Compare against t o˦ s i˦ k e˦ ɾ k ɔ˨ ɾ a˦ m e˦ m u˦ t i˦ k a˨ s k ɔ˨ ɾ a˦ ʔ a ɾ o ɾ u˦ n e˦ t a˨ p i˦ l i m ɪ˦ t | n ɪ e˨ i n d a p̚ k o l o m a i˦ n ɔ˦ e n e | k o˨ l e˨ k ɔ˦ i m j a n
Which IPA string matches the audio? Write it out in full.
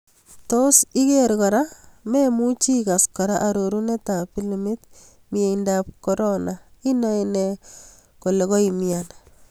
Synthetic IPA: t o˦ s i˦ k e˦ ɾ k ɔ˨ ɾ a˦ m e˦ m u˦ t͡ʃ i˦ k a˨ s k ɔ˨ ɾ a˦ ʔ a ɾ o ɾ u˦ n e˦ t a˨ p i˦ l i m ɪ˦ t | m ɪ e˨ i n d a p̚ k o ɾ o n a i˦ n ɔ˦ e n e | k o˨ l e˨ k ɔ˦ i m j a n